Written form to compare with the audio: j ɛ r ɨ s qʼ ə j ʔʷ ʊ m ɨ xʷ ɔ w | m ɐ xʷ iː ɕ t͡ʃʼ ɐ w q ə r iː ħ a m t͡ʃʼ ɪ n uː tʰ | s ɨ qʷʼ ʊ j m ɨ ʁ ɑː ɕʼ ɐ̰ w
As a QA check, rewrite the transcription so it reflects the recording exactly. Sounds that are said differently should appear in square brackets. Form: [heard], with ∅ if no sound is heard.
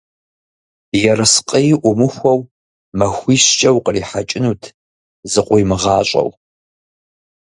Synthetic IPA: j ɛ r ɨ s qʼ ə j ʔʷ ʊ m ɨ xʷ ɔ w | m ɐ xʷ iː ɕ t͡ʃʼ ɐ w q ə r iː ħ a [∅] t͡ʃʼ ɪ n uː tʰ | [z] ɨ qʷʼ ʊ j m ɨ ʁ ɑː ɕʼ ɐ̰ w